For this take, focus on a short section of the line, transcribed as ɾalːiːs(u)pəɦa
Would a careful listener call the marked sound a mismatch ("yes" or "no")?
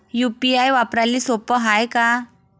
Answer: yes